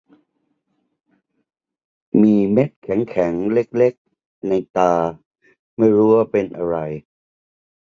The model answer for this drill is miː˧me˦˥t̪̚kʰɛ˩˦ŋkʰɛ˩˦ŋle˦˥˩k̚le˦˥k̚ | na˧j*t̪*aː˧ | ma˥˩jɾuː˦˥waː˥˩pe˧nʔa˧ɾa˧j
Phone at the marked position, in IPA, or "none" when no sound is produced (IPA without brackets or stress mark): t̪